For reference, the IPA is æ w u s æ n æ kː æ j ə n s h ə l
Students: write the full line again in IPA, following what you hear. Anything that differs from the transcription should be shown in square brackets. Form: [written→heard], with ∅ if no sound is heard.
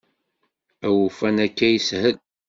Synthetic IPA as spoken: æ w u [s→f] æ n æ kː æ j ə [n→∅] s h ə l